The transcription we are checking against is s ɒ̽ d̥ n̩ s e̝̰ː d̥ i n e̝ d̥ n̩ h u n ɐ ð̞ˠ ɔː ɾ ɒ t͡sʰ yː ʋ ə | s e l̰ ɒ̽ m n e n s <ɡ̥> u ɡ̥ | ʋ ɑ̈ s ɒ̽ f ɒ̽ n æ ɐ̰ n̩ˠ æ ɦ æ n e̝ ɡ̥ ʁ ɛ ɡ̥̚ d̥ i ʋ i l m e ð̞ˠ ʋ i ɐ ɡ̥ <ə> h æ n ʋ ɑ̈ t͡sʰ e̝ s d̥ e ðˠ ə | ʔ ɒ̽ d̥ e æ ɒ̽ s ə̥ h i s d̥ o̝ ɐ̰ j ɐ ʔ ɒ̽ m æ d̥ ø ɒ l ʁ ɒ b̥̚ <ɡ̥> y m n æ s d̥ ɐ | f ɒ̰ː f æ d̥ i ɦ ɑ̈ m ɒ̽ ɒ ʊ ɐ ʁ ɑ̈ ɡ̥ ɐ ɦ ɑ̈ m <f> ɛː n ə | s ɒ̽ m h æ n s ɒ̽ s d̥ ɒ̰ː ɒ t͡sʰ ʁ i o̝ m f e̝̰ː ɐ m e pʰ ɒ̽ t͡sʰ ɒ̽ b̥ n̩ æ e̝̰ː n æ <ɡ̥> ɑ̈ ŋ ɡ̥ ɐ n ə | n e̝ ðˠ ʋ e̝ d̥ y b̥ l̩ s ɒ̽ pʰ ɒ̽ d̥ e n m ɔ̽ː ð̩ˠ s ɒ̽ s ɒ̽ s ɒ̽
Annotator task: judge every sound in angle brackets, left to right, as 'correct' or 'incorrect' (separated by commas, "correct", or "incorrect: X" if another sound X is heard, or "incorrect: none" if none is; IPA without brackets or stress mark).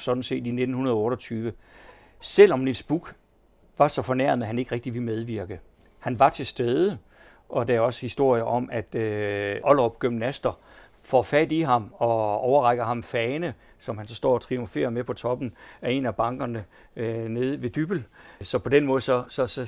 incorrect: b̥, correct, correct, correct, incorrect: b̥